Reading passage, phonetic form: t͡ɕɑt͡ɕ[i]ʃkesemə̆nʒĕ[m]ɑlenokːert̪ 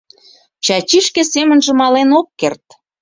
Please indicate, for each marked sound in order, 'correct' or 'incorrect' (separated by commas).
correct, correct